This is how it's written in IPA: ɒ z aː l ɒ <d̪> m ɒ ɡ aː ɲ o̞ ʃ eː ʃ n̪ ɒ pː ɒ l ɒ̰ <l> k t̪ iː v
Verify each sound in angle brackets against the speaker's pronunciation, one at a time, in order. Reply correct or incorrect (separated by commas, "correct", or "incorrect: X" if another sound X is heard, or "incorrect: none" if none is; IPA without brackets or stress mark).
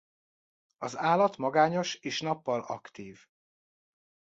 incorrect: t̪, incorrect: none